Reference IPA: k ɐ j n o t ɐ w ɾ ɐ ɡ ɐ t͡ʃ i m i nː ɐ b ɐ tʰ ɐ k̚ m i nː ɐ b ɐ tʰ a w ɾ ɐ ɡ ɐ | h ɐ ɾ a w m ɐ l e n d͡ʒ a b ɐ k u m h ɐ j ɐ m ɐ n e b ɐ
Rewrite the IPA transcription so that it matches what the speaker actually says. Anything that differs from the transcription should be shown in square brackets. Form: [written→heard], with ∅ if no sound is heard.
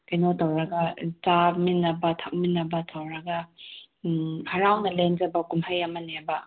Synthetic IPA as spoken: k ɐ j n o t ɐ w ɾ ɐ ɡ ɐ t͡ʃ [i→a] m i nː ɐ b ɐ tʰ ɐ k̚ m i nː ɐ b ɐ tʰ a w ɾ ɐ ɡ ɐ | h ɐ ɾ a w [m→n] ɐ l e n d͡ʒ [a→ɐ] b ɐ k u m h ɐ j ɐ m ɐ n e b ɐ